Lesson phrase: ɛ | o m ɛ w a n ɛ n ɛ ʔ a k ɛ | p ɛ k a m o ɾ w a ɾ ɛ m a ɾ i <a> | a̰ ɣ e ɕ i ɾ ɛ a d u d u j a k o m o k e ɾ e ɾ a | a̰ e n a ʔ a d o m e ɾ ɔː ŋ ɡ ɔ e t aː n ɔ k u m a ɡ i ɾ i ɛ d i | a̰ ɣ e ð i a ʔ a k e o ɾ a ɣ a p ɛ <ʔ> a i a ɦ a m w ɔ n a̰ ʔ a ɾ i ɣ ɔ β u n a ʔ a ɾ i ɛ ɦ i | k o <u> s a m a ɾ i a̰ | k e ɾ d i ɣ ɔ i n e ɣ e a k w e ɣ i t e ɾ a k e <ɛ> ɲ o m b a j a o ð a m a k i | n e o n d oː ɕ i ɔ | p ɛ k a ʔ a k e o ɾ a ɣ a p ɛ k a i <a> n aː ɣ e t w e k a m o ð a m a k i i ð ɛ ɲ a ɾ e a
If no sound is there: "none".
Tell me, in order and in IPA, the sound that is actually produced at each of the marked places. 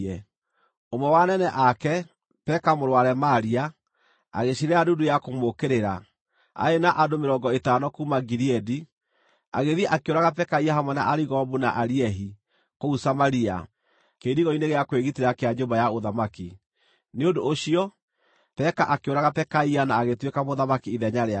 a, k, u, a, a

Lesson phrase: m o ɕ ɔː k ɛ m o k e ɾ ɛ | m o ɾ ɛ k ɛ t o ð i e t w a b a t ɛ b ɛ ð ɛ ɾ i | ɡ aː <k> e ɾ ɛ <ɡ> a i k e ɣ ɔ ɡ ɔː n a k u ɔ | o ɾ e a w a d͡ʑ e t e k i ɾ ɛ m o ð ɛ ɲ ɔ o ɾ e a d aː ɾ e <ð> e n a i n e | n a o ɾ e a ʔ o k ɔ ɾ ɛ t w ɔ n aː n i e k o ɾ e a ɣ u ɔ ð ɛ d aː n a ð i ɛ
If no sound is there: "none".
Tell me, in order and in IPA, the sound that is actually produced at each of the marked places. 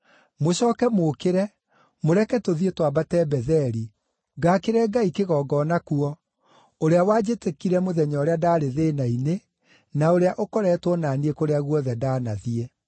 k, ɡ, ð

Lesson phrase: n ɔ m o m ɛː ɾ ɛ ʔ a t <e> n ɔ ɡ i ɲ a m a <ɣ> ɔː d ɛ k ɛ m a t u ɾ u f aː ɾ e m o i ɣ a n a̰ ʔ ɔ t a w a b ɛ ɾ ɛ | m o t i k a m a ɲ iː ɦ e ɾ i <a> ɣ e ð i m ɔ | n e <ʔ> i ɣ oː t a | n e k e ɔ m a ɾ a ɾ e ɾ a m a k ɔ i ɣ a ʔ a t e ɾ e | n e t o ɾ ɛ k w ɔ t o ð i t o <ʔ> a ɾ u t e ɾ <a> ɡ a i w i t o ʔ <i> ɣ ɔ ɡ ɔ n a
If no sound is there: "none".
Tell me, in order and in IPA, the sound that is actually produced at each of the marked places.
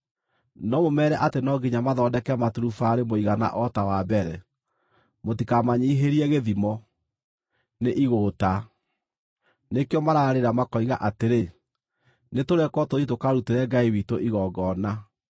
e, ð, ɛ, ʔ, k, ɛ, i

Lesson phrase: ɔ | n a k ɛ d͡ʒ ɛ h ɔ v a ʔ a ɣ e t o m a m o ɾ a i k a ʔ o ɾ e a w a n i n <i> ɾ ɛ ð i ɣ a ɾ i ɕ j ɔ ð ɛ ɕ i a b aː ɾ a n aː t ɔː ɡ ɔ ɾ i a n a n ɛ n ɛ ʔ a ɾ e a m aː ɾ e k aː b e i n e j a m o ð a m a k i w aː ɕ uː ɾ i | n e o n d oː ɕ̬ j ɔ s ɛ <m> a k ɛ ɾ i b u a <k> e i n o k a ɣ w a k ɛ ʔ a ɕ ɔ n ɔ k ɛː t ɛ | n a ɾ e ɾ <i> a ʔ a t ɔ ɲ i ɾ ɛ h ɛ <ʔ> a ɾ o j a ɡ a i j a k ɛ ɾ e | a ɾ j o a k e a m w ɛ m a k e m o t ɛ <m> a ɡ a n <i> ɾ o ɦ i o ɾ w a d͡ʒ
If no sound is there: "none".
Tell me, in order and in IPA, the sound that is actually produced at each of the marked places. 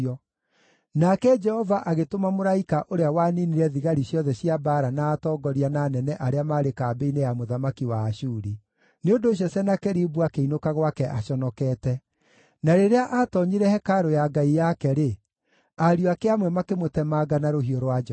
i, n, k, e, k, m, a

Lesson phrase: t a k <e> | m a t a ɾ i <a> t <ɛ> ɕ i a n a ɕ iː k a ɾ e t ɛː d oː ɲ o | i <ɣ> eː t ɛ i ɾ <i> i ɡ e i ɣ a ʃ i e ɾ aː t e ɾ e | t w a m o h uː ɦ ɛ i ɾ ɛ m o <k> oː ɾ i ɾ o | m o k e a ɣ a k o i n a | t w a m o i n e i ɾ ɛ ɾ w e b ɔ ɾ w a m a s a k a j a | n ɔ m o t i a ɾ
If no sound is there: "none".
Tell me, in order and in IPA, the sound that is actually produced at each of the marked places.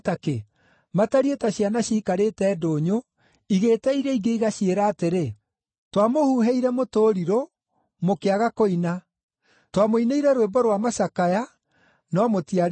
e, e, a, ɣ, ɛ, t

